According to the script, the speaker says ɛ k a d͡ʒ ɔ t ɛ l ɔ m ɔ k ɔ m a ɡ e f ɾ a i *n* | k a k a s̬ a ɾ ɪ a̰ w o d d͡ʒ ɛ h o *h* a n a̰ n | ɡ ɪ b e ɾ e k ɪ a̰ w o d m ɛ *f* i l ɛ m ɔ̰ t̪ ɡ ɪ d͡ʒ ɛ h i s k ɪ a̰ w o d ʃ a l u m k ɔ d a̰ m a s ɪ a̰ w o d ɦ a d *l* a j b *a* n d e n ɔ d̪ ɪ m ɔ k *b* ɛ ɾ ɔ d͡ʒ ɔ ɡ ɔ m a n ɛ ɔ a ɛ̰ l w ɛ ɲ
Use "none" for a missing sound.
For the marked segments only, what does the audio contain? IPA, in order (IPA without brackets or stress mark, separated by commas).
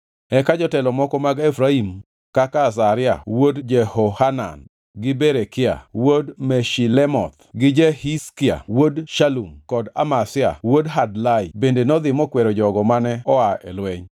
m, h, ʃ, l, e, w